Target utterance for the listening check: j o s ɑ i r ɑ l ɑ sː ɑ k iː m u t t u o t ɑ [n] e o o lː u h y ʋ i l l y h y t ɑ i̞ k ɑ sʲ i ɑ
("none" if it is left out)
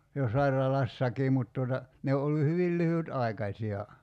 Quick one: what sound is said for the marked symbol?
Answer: n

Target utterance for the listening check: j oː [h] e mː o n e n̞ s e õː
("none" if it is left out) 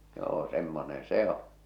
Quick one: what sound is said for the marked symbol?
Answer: s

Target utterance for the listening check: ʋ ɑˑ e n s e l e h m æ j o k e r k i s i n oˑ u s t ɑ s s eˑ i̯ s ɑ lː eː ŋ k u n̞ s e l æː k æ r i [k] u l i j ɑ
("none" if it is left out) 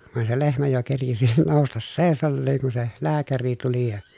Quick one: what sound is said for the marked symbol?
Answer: t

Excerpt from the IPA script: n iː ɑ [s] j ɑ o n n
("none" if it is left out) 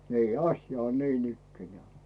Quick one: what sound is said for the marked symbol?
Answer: s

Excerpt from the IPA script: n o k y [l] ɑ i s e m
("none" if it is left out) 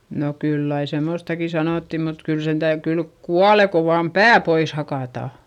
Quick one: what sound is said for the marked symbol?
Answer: lː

